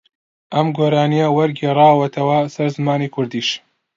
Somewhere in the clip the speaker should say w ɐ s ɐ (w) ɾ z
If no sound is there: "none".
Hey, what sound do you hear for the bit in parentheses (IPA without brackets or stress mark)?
none